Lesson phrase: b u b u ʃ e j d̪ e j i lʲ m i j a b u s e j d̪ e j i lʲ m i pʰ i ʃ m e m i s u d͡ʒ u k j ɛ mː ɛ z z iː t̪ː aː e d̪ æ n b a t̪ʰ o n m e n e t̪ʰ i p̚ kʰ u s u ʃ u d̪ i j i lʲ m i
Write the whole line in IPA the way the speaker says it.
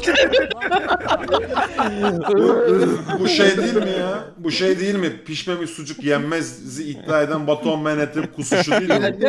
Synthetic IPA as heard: b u b u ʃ e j d̪ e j i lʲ m i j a b u ʃ e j d̪ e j i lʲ m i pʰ i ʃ m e m i s u d͡ʒ u k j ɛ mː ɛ z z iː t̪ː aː e d̪ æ n b a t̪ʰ o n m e n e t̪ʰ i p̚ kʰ u s u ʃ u d̪ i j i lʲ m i